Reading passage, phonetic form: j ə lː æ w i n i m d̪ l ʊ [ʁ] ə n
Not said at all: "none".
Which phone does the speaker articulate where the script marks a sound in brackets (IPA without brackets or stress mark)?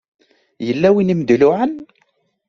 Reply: ʕ